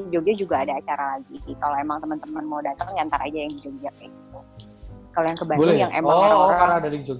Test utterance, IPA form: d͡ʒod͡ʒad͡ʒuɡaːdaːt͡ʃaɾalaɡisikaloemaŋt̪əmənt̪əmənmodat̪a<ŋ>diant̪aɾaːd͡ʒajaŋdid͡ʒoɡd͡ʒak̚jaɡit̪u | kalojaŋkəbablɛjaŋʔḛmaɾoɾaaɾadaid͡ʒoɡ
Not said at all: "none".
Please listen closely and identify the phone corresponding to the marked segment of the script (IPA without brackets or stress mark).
ŋ